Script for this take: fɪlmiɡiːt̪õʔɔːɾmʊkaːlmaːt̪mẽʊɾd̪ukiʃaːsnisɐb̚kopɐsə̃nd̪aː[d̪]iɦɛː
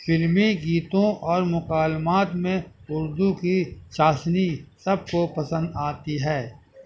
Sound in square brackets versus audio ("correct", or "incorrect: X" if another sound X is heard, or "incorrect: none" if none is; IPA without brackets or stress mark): incorrect: t̪